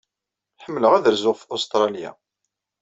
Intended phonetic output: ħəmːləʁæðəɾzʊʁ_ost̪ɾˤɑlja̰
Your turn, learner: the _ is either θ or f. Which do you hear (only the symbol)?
f